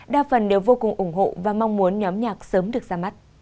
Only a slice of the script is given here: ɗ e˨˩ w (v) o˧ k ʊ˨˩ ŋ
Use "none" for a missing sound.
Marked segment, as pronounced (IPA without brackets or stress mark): v